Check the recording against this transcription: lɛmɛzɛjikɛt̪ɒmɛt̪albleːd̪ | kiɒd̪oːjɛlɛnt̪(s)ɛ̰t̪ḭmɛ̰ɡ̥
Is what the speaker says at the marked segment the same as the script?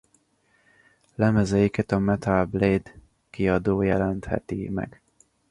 no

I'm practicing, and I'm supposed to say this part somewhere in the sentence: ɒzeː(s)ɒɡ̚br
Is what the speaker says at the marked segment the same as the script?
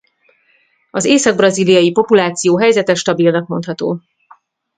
yes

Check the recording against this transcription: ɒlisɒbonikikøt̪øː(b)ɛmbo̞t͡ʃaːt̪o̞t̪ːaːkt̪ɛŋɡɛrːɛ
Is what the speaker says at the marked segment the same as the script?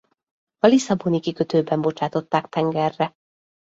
yes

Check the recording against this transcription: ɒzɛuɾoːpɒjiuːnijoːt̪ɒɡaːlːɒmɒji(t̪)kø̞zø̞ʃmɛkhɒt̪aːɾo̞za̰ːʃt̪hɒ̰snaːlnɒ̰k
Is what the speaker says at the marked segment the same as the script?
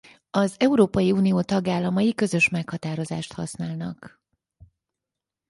no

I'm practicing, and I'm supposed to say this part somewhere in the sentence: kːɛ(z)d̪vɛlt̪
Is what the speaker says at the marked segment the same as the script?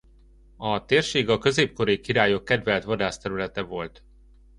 no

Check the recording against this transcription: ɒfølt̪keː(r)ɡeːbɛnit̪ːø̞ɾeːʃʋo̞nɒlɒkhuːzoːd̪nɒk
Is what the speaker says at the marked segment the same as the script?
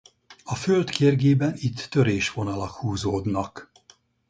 yes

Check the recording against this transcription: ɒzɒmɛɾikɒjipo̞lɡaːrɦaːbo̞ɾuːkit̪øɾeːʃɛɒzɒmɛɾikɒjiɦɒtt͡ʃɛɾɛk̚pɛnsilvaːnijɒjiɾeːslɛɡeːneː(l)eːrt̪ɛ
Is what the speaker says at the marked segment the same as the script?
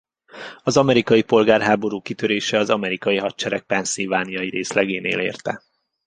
yes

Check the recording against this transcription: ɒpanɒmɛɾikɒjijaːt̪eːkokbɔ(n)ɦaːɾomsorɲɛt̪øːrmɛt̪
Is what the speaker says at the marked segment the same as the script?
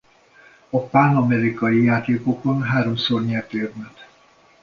yes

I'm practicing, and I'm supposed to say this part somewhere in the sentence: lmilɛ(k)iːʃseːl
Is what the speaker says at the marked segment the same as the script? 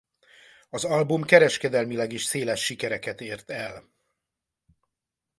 no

